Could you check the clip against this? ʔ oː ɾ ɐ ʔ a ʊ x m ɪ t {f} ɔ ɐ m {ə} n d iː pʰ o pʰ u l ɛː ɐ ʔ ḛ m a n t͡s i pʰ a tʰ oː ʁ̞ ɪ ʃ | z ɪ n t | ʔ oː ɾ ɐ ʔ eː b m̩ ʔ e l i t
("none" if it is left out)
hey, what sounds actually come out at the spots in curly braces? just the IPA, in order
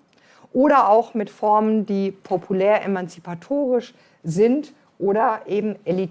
f, ə

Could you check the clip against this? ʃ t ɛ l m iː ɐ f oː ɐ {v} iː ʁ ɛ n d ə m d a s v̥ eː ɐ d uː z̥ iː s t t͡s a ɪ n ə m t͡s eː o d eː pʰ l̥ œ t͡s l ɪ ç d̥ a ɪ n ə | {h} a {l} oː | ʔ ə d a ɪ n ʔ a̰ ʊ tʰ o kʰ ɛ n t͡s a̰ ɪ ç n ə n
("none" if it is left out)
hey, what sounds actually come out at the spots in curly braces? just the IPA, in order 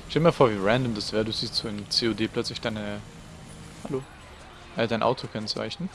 v, h, l

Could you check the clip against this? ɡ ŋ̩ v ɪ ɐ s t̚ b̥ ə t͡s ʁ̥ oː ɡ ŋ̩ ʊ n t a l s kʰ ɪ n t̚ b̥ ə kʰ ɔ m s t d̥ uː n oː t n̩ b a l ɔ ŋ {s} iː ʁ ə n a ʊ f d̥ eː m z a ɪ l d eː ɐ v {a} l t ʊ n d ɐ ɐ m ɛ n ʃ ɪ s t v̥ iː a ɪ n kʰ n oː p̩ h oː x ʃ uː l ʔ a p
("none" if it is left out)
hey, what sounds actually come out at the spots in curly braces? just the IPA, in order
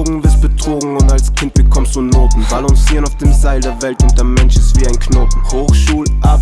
s, ɛ

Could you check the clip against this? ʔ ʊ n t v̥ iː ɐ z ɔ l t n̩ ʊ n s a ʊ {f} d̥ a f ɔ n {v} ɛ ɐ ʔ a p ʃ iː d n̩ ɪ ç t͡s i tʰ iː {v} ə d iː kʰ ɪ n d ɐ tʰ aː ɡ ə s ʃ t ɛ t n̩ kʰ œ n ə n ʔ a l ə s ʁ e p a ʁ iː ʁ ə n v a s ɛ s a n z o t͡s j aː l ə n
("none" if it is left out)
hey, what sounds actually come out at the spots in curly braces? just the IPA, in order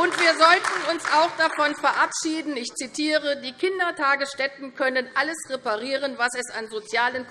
x, f, ʁ

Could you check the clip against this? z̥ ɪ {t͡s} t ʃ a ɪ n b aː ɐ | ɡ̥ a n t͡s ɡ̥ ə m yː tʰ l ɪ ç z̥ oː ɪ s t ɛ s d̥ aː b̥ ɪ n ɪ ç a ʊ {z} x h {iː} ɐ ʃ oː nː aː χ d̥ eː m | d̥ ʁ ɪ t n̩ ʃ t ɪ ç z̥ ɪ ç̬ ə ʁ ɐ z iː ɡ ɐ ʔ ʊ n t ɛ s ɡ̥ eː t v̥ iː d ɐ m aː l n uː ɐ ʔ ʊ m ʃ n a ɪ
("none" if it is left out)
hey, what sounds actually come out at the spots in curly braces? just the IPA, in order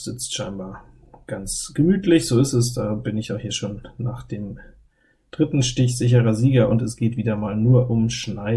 t͡s, none, iː

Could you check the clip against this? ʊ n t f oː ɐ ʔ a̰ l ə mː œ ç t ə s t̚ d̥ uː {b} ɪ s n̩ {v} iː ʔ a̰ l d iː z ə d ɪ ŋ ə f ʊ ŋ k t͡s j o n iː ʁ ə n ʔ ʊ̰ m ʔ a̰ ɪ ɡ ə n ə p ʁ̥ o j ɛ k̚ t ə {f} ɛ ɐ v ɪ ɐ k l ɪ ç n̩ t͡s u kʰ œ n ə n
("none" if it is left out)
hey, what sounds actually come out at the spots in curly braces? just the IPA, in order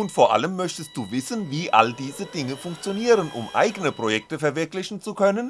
v, v, f

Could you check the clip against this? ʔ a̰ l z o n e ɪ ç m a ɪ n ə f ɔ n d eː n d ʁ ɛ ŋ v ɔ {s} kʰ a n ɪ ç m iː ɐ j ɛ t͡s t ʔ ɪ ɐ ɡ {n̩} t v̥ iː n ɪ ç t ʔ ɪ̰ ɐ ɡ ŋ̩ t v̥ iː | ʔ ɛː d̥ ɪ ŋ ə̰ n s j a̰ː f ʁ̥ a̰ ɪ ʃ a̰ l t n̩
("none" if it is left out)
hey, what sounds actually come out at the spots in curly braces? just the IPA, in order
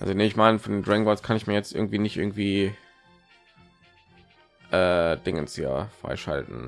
s, ŋ̩

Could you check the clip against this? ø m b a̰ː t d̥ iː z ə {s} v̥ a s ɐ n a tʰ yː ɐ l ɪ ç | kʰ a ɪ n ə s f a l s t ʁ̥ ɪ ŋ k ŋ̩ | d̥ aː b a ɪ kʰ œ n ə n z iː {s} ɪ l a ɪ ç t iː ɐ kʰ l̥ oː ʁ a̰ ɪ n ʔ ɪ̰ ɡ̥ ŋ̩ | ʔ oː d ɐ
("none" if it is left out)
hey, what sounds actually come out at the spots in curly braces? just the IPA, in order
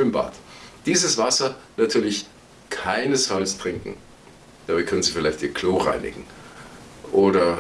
s, f

